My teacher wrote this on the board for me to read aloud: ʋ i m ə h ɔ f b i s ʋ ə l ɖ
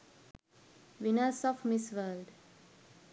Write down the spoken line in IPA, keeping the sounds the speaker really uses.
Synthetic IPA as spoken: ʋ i n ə s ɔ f m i s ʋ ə l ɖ